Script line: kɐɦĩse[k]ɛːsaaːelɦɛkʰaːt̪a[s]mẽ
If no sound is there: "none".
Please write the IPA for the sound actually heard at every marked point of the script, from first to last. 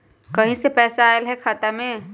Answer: p, none

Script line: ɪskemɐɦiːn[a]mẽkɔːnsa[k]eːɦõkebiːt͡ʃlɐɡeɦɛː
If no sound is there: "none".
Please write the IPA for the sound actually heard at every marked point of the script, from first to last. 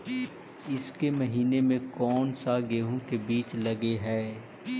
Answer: e, ɡ

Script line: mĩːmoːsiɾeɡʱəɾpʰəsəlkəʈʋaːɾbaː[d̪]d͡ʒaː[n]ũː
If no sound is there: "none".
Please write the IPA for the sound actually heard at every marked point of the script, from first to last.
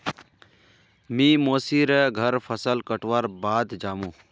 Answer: d̪, m

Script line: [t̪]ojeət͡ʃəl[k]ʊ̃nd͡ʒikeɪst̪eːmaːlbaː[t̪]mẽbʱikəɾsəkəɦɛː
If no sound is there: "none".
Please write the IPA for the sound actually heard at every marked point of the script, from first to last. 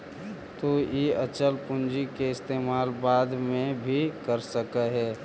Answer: t̪, p, d̪

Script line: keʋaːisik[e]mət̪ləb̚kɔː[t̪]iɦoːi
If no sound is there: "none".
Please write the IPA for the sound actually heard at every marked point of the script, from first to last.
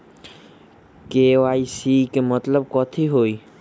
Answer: e, t̪ʰ

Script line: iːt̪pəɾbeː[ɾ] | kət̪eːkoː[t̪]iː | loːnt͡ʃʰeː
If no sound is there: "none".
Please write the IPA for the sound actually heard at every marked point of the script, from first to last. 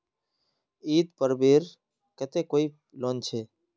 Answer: ɾ, none

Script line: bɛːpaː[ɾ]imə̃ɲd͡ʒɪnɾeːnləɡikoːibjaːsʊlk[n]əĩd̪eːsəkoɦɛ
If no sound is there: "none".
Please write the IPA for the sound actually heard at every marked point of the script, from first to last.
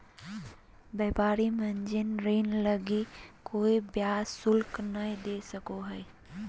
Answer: ɾ, n

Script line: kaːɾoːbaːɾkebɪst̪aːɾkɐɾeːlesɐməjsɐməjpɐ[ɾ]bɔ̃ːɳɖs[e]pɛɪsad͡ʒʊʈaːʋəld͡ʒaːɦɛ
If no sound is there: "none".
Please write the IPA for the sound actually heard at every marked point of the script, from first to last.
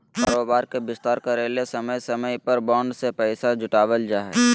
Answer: ɾ, e

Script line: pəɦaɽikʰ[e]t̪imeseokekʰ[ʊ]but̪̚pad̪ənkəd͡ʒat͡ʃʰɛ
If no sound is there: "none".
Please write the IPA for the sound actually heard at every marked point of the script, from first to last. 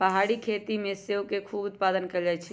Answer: e, u

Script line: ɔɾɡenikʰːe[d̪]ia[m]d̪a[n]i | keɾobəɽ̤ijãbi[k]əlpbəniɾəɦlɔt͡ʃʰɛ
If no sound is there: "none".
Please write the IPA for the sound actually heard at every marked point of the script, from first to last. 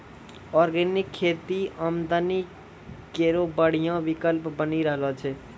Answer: t̪, m, n, k

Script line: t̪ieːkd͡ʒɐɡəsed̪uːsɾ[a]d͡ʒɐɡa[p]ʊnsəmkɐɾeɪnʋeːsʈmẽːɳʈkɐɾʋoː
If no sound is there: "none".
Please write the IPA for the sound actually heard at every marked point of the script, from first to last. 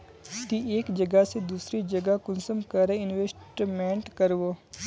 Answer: i, k

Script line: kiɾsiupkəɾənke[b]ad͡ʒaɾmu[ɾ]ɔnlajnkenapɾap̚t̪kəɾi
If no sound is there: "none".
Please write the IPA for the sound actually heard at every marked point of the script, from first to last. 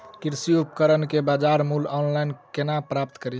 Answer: b, l

